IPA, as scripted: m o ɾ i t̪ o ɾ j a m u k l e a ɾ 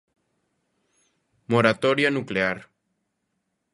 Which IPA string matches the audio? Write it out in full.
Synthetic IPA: m o ɾ a t̪ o ɾ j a n u k l e a ɾ